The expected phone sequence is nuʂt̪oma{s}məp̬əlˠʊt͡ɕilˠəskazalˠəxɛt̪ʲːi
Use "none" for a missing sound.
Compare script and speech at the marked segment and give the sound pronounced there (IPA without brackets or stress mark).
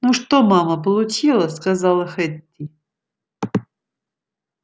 none